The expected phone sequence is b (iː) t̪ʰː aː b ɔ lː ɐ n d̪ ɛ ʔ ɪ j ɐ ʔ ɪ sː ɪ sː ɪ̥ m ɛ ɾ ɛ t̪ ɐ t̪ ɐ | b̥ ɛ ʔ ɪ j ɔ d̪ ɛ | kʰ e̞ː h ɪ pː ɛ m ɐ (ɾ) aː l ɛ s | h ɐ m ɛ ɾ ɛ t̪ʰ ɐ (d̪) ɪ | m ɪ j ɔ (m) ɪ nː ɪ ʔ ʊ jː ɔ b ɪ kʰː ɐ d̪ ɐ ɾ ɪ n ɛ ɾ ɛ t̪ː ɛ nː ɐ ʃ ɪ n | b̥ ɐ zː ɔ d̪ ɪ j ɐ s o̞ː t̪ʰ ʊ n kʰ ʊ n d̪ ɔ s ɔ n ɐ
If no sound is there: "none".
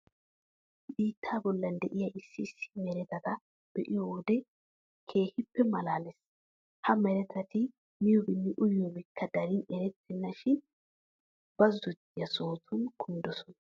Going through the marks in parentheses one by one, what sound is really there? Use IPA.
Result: iː, l, t̪, b

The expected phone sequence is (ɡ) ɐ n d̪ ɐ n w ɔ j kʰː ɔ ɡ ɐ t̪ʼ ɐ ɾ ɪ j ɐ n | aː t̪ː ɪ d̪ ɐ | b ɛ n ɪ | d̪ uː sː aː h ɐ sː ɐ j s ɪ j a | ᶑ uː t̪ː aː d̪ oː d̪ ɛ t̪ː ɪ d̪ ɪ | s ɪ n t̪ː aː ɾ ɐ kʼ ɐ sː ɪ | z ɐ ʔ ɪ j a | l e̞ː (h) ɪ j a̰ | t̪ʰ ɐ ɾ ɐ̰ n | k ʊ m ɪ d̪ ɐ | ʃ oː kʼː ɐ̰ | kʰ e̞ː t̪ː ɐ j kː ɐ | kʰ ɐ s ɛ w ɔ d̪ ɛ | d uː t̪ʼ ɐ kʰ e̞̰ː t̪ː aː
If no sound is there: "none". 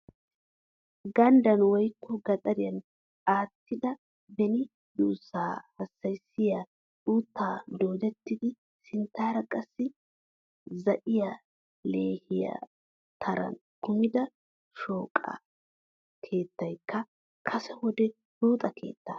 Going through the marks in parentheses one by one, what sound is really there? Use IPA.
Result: ɡ, h

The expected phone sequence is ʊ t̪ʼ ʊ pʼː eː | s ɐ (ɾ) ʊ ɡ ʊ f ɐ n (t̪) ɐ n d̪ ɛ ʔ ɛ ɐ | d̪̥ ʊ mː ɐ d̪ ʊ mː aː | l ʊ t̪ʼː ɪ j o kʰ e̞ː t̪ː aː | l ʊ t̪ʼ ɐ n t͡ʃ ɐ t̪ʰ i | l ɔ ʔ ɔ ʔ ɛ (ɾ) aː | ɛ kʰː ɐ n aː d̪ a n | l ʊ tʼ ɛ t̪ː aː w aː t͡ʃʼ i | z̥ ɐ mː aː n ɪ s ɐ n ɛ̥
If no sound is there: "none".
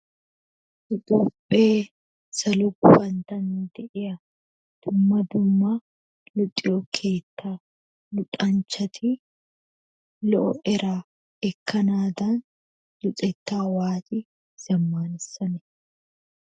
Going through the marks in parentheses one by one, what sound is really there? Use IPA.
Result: l, t̪, ɾ

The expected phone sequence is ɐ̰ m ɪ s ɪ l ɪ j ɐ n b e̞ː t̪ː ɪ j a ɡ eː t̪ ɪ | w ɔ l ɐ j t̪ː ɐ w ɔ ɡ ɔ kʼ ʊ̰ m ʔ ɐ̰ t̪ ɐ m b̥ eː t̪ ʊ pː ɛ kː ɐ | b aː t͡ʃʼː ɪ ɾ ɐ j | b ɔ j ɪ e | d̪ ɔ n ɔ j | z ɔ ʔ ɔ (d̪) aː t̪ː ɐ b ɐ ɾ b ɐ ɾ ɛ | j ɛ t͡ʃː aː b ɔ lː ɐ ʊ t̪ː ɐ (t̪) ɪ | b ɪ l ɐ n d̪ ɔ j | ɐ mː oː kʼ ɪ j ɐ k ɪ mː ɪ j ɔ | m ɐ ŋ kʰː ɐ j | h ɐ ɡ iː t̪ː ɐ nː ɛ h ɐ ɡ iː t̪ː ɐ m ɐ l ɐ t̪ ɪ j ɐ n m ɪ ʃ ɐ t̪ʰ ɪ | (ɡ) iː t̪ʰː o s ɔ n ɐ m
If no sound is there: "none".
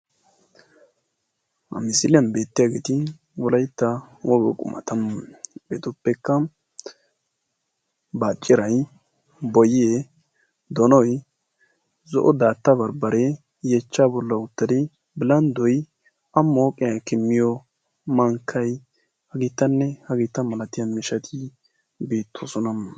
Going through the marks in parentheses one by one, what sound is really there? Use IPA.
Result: d̪, d̪, b

